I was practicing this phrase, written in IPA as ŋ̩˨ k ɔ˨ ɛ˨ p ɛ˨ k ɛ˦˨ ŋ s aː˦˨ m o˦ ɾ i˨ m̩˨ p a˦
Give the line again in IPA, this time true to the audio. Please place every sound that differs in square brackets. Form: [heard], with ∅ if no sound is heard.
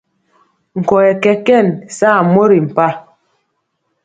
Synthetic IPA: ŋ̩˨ k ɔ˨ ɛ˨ [k] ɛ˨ k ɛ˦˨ [n] s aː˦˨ m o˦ ɾ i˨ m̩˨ p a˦